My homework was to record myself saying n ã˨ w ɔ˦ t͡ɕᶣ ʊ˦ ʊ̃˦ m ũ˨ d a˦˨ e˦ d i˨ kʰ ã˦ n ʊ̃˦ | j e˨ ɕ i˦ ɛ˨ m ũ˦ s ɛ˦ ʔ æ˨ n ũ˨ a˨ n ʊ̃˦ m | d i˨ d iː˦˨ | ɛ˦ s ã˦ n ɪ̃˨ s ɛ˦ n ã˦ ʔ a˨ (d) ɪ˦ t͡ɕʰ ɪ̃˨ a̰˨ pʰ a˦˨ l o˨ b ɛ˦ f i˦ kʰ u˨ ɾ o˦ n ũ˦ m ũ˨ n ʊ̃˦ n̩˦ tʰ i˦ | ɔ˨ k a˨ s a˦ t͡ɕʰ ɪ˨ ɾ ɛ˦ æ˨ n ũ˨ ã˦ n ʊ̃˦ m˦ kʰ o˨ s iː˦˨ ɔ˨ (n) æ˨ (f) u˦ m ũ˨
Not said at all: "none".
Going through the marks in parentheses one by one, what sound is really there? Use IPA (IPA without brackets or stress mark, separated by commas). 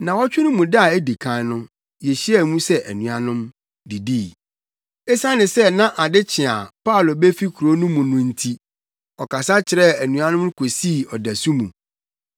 d, d, s